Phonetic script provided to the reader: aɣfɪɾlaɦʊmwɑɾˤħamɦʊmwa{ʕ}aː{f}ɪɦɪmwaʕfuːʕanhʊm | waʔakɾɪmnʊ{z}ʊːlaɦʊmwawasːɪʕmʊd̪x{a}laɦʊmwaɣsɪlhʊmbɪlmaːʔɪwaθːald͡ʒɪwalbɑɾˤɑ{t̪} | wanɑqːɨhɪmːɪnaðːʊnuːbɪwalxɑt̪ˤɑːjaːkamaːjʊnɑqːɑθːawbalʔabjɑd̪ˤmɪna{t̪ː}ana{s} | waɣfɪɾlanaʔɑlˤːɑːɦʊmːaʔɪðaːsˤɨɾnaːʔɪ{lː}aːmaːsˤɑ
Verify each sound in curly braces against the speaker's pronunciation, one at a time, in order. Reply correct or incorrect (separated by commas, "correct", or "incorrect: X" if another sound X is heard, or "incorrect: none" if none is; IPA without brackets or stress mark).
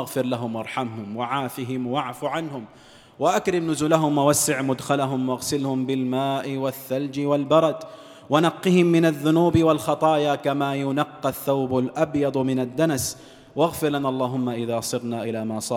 correct, correct, correct, correct, incorrect: d̪, incorrect: d̪ː, correct, incorrect: l